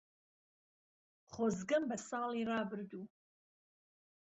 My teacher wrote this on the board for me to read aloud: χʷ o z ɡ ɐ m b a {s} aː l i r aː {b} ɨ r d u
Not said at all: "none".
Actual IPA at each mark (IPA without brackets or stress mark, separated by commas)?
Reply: s, b